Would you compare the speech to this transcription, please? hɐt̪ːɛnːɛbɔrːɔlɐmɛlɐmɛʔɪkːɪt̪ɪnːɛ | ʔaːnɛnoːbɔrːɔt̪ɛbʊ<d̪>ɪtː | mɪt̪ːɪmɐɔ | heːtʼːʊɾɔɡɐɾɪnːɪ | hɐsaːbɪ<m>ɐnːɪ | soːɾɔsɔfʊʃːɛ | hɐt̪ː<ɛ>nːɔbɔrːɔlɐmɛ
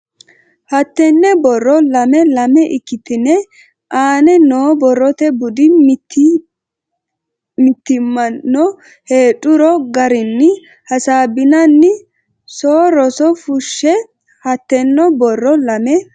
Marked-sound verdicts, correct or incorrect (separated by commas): correct, incorrect, correct